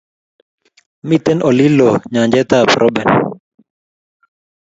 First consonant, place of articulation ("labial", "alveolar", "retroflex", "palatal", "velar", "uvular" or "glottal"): labial